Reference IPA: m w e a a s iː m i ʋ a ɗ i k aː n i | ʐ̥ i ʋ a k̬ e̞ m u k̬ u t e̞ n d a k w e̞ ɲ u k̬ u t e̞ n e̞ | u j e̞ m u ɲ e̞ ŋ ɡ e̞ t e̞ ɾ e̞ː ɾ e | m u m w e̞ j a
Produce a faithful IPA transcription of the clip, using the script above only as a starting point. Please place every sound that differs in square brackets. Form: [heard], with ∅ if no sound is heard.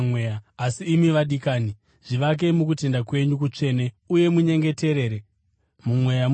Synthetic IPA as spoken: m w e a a s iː m i ʋ a ɗ i k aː n i | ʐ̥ i ʋ a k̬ e̞ m u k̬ u t e̞ n d a k w e̞ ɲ u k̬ u [t͡ʂ] e̞ n e̞ | u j e̞ m u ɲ e̞ ŋ ɡ e̞ t e̞ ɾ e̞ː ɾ e | m u m w e̞ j a

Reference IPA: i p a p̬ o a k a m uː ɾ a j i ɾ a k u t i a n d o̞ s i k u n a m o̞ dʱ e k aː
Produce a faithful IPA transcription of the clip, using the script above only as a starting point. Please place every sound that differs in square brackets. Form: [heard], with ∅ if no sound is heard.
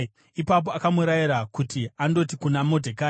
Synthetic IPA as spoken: i p a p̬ o a k a m [u] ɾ a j i ɾ a k u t i a n d o̞ [t] i k u n a m o̞ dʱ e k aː

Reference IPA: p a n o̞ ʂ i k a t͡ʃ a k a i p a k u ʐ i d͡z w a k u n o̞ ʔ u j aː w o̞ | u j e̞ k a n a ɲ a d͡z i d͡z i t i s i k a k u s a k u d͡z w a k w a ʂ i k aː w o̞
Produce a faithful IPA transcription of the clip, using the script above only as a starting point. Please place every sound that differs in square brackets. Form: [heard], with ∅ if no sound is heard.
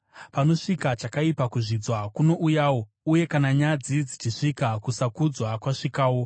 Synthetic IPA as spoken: p a n o̞ ʂ i k a t͡ʃ a k a i p a k u ʐ i d͡z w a k u n o̞ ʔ u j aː w o̞ | u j e̞ k a n a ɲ a d͡z i d͡z i [t͡ʃ] i [ʂ] i k a k u s a k u d͡z w a k w a ʂ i k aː w o̞

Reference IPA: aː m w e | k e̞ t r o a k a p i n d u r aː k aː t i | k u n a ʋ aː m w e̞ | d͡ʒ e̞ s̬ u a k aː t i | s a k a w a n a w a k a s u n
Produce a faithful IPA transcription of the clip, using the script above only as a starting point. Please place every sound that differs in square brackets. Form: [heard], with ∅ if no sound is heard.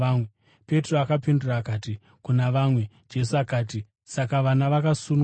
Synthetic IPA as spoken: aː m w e | [p] e̞ t r o a k a p i n d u r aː k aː t i | k u n a ʋ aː m w e̞ | d͡ʒ e̞ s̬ u a k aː t i | s a k a [ʋ] a n a [ʋ] a k a s u n

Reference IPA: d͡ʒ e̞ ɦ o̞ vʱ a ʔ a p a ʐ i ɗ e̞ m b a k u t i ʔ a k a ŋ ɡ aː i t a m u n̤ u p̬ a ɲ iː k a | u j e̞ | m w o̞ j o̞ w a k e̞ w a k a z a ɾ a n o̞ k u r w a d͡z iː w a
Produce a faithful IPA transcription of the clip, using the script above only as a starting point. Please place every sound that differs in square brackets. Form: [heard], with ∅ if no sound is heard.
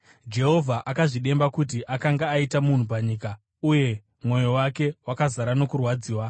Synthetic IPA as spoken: d͡ʒ e̞ ɦ o̞ vʱ a ʔ a [k] a ʐ i ɗ e̞ m b a k u t i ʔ a k a ŋ ɡ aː i t a m u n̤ u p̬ a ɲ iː k a | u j e̞ | m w o̞ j o̞ w a k e̞ w a k a z a ɾ a n o̞ k u r w a d͡z iː w a

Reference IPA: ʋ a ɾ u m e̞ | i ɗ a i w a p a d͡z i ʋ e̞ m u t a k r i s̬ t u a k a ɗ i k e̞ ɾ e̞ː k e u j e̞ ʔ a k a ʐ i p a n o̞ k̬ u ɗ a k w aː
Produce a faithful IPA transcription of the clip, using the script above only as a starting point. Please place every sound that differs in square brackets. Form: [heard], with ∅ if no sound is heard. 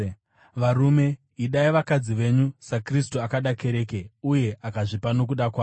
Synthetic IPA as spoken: ʋ a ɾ u m e̞ | i ɗ a i [ʋ] a [k] a d͡z i ʋ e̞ [ɲ] u [s] a k r i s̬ t u a k a ɗ [a] k e̞ ɾ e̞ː k e u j e̞ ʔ a k a ʐ i p a n o̞ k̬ u ɗ a k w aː

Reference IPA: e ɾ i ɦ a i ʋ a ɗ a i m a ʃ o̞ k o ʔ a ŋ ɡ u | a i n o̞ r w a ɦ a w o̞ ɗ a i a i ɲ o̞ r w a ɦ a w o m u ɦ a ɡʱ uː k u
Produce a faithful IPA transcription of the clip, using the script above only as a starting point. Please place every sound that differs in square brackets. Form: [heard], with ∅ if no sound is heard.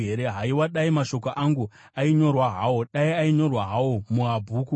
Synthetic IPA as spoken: e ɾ [e] ɦ a i [w] a ɗ a i m a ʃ o̞ k o ʔ a ŋ ɡ u | a i [ɲ] o̞ r w a ɦ a w o̞ ɗ a i a i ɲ o̞ r w a ɦ a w o m u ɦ a [bʱ] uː k u

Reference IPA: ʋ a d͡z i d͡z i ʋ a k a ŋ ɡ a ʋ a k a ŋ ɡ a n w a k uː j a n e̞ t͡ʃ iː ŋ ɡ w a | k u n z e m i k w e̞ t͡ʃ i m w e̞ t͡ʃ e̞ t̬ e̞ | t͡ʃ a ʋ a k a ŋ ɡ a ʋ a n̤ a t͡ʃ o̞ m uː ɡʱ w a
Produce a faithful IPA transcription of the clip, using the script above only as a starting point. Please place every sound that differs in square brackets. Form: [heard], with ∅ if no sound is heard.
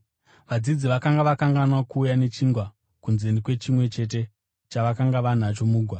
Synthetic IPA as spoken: ʋ a d͡z i d͡z i ʋ a k a ŋ ɡ a ʋ a k a ŋ ɡ a n w a k uː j a n e̞ t͡ʃ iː ŋ ɡ w a | k u n z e [n] i k w e̞ t͡ʃ i m w e̞ t͡ʃ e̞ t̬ e̞ | t͡ʃ a ʋ a k a ŋ ɡ a ʋ a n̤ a t͡ʃ o̞ m uː ɡʱ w a

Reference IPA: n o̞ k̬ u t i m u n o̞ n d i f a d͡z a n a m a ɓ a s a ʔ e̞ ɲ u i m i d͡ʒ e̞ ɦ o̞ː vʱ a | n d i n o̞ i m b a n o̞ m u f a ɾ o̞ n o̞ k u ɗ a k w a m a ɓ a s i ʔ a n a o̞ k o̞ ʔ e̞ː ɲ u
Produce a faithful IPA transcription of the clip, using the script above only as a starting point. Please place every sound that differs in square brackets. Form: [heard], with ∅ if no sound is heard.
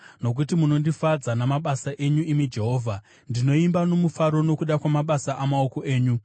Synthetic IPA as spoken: n o̞ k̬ u t i m u n o̞ n d i f a d͡z a n a m a ɓ a s a ʔ e̞ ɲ u i m i d͡ʒ e̞ ɦ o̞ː vʱ a | n d i n o̞ i m b a n o̞ m u f a ɾ o̞ n o̞ k u ɗ a k w a m a ɓ a s [a] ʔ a [m] a o̞ k o̞ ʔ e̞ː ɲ u

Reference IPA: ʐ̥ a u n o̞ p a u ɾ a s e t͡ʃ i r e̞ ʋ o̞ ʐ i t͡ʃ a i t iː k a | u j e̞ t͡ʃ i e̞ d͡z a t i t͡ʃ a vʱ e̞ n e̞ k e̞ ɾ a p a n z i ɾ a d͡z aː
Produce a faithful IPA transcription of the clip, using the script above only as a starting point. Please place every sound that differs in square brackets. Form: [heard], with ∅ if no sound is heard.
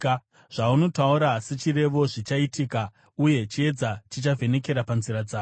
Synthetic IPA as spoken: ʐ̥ a u n o̞ [t] a u ɾ a s e t͡ʃ i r e̞ ʋ o̞ ʐ i t͡ʃ a i t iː k a | u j e̞ t͡ʃ i e̞ d͡z a [t͡ʃ] i t͡ʃ a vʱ e̞ n e̞ k e̞ ɾ a p a n z i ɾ a d͡z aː

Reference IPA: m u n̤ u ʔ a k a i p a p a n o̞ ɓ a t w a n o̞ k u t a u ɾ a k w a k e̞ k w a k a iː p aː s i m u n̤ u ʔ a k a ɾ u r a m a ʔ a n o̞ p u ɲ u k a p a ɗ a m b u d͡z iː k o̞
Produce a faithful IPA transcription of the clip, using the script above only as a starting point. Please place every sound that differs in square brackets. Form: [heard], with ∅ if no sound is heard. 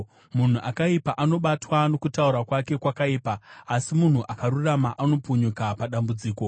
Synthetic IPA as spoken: m u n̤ u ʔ a k a i p a [ʔ] a n o̞ ɓ a t w a n o̞ k u t a u ɾ a k w a k e̞ k w a k a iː p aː s i m u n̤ u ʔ a k a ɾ u r a m a ʔ a n o̞ p u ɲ u k a p a ɗ a m b u d͡z iː k o̞

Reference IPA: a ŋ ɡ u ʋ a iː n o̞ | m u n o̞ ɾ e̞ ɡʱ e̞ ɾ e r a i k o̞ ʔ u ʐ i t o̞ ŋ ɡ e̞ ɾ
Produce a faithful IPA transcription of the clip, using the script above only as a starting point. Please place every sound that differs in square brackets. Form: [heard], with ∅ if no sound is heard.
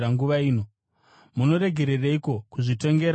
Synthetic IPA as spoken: a ŋ ɡ u ʋ a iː n o̞ | m u n o̞ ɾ e̞ ɡʱ e̞ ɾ e r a i k o̞ [k] u ʐ i t o̞ ŋ ɡ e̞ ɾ

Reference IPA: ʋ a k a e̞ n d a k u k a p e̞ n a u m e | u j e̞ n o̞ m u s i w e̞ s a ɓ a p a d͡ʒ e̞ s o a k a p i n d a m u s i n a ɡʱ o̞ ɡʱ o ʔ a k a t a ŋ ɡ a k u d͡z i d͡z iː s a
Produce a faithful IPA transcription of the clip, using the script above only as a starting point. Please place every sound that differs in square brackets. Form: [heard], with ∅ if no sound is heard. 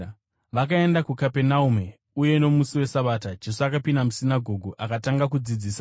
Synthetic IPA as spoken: ʋ a k a e̞ n d a k u k a p e̞ n a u m e | u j e̞ n o̞ m u s i w e̞ s a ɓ a [t] a d͡ʒ e̞ s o a k a p i n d a m u s i n a ɡʱ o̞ ɡʱ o ʔ a k a t a ŋ ɡ a k u d͡z i d͡z iː s a

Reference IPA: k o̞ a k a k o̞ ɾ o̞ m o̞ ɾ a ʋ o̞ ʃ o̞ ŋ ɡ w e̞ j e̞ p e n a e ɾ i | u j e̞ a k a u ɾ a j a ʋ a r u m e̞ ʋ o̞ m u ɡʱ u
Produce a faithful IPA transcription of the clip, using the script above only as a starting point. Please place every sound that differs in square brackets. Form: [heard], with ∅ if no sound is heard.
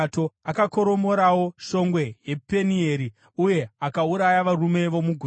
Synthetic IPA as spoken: [t] o̞ a k a k o̞ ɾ o̞ m o̞ ɾ a [w] o̞ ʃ o̞ ŋ ɡ w e̞ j e̞ p e n [i] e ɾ i | u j e̞ a k a u ɾ a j a ʋ a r u m e̞ ʋ o̞ m u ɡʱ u

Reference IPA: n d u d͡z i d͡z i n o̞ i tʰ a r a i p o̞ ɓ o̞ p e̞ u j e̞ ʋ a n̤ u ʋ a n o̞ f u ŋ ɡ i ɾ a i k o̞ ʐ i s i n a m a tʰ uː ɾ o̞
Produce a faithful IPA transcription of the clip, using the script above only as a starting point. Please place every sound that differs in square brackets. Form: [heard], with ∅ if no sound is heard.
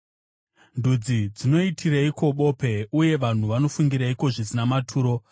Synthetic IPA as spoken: n d u d͡z i d͡z i n o̞ i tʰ [i] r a i [k] o̞ ɓ o̞ p e̞ u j e̞ ʋ a n̤ u ʋ a n o̞ f u ŋ ɡ i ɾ a i k o̞ ʐ i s i n a m a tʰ uː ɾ o̞

